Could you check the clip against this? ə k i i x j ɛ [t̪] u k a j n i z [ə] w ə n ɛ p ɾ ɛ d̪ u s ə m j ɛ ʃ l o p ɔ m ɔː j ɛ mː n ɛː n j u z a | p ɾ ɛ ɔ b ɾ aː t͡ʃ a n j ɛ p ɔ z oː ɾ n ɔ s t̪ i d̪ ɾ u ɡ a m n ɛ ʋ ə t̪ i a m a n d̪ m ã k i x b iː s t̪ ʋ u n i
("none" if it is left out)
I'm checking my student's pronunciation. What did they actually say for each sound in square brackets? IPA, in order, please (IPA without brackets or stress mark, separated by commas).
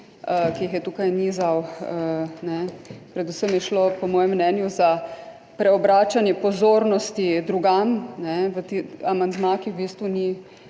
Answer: t̪, a